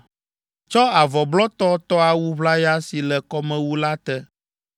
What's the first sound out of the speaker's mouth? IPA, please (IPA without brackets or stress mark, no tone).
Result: t͡ʃ